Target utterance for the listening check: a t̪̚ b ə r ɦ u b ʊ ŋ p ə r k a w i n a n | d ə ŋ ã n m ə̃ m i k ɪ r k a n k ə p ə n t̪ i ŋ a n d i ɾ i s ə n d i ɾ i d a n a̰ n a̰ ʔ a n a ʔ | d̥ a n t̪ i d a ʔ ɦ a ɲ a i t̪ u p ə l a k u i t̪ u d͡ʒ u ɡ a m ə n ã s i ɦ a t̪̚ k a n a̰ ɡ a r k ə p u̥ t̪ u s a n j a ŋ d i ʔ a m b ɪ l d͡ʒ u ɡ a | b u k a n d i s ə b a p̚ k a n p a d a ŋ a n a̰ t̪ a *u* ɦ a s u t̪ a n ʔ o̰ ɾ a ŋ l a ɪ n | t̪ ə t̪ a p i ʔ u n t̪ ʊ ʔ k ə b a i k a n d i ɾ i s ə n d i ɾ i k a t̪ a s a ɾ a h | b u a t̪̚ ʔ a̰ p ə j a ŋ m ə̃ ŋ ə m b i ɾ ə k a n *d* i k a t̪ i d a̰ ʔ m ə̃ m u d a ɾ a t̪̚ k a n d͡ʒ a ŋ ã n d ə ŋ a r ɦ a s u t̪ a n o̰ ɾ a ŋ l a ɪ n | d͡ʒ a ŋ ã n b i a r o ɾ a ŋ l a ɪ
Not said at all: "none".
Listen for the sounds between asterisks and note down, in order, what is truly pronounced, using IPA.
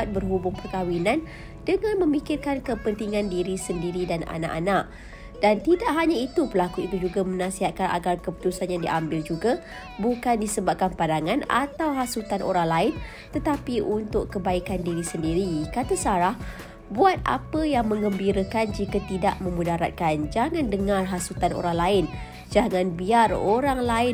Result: w, d͡ʒ

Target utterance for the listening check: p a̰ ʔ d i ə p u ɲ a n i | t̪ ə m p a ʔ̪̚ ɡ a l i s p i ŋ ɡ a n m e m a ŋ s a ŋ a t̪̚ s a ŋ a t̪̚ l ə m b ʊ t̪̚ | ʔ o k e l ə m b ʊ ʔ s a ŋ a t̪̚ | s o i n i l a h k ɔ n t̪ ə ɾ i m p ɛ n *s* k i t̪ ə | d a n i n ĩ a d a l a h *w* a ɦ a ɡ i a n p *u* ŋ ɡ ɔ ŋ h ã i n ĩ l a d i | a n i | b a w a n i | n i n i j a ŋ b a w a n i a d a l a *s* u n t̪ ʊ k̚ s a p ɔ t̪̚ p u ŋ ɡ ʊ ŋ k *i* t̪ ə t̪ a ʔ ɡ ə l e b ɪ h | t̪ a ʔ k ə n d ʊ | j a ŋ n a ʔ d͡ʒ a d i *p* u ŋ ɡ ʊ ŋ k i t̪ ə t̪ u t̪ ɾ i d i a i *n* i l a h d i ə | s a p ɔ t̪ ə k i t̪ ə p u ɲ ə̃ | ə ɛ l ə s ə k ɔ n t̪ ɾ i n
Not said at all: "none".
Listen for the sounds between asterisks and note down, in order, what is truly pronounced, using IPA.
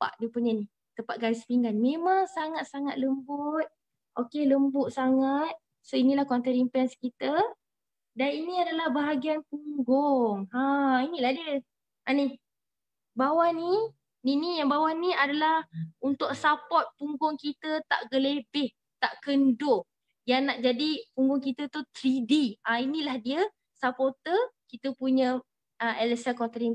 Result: s, b, u, h, i, p, n

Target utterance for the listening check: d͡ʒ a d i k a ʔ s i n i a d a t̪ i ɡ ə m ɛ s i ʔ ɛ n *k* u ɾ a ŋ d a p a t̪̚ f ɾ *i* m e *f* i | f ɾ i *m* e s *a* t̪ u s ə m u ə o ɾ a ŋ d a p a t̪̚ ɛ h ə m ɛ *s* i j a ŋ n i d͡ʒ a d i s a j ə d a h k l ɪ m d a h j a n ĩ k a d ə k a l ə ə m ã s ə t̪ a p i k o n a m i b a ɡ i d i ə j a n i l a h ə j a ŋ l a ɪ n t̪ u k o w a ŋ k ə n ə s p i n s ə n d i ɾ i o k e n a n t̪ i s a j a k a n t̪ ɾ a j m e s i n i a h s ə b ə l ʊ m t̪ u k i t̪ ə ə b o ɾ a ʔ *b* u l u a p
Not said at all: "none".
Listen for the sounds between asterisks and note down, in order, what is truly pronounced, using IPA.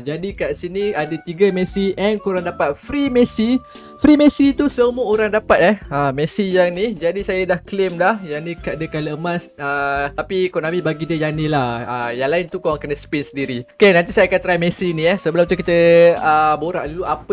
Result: k, i, s, m, i, s, d

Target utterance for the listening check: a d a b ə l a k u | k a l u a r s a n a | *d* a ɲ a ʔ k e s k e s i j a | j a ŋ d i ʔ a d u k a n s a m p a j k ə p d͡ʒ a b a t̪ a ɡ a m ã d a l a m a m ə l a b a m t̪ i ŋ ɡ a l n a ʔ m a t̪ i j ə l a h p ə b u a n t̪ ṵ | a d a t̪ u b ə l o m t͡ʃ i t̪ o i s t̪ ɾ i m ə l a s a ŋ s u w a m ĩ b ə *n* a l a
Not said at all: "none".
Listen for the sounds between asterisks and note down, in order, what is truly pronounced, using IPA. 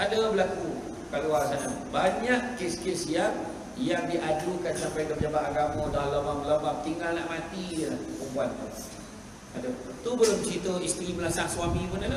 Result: b, n

